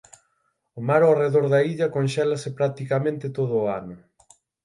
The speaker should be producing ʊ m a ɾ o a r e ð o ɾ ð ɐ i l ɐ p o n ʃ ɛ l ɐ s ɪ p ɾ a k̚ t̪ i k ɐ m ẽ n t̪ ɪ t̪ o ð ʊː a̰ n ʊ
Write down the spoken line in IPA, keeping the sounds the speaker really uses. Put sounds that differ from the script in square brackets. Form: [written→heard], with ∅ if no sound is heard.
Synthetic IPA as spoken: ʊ m a ɾ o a r e ð o ɾ ð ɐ i [l→ʎ] ɐ [p→k] o n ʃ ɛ l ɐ s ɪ p ɾ a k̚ t̪ i k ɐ m ẽ n t̪ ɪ t̪ o ð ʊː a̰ n ʊ